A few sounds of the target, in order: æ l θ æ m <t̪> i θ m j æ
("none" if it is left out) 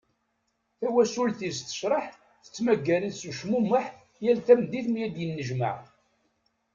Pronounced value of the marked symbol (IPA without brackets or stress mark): d̪